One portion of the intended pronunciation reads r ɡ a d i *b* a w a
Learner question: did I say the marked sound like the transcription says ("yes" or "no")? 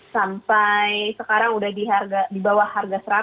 yes